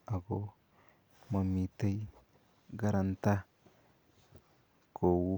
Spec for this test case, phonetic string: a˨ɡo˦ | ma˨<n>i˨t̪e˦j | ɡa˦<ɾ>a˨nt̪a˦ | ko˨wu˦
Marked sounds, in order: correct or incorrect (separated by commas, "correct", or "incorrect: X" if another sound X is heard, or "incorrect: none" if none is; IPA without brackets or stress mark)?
incorrect: m, correct